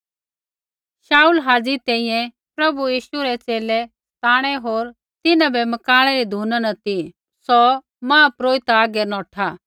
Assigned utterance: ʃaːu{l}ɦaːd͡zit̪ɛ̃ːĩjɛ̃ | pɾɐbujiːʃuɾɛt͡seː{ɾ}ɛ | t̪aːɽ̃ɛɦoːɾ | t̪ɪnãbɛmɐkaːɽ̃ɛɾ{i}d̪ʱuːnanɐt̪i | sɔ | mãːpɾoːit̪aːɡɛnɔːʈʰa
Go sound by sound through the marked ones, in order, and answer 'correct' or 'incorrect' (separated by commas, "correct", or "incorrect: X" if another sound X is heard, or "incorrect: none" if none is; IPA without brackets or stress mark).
correct, incorrect: l, correct